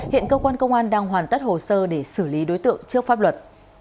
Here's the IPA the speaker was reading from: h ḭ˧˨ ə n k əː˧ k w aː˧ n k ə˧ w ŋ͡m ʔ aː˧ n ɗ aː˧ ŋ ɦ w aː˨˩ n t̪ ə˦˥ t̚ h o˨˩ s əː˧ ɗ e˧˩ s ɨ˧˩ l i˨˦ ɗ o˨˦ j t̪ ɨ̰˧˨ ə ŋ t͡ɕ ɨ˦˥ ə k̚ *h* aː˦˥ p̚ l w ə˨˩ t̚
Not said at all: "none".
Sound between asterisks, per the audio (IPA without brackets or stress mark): f